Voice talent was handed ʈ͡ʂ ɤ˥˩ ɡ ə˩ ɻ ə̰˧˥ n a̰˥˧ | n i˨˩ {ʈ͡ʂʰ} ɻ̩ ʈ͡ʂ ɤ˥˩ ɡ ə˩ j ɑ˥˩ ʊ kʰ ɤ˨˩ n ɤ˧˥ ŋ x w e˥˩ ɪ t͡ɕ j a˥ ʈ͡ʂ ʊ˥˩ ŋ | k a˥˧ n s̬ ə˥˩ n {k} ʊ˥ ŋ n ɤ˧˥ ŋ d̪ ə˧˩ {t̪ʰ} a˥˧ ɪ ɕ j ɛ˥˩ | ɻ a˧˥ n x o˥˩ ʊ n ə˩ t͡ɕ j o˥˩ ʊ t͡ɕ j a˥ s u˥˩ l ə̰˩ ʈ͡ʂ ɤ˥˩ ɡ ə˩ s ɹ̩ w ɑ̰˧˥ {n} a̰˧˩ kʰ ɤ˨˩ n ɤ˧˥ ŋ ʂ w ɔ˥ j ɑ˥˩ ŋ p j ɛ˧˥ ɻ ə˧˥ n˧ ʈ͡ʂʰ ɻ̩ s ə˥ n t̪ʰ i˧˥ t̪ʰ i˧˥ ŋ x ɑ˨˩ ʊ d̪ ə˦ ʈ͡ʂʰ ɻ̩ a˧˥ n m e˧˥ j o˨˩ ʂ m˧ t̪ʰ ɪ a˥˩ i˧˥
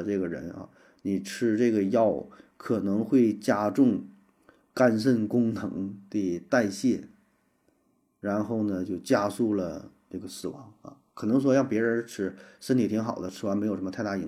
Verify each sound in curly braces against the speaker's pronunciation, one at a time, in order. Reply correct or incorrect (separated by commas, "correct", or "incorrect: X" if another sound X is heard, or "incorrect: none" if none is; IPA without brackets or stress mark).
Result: correct, correct, incorrect: t̪, incorrect: ŋ